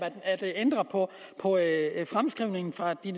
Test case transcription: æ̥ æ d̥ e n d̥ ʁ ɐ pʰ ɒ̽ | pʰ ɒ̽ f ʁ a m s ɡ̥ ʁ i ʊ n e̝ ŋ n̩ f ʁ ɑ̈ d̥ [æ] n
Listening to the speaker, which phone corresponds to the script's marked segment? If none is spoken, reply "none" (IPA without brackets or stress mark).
i